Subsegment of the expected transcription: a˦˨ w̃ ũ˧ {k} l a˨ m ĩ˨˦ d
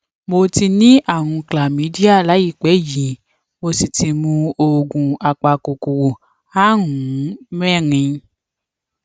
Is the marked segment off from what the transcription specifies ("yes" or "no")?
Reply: no